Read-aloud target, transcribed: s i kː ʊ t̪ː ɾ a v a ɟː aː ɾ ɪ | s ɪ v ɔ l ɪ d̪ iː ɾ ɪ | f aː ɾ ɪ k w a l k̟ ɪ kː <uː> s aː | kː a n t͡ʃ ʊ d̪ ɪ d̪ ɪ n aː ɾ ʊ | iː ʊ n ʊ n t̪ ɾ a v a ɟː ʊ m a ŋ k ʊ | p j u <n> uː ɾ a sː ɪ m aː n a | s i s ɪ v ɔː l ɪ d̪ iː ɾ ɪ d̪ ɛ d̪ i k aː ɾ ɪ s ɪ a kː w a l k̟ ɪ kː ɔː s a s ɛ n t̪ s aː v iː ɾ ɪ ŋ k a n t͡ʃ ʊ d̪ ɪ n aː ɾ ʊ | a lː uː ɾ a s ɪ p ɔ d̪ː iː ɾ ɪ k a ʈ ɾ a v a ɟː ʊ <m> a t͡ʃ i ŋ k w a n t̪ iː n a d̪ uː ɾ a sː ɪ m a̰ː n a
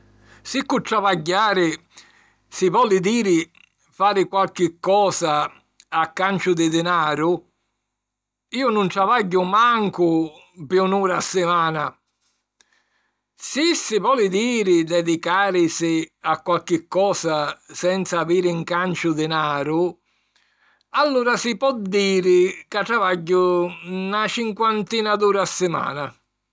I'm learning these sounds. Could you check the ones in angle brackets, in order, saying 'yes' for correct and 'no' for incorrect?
no, yes, no

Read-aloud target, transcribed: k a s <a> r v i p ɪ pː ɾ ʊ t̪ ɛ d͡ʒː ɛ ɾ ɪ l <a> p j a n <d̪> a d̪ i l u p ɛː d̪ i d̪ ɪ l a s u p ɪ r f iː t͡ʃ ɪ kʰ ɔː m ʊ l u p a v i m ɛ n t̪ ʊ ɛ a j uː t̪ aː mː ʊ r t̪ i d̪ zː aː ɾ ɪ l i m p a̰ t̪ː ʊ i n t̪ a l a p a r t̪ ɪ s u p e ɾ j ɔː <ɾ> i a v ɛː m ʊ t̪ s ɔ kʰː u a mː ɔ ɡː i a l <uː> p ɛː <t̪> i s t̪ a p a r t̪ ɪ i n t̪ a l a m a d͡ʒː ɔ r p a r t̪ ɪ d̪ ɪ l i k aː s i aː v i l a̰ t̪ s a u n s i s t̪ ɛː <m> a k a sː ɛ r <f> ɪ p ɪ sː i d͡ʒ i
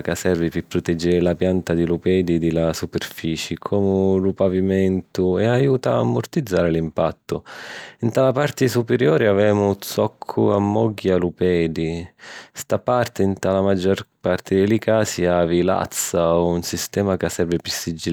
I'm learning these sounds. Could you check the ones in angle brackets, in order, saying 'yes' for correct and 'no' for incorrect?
no, yes, no, yes, no, no, yes, no

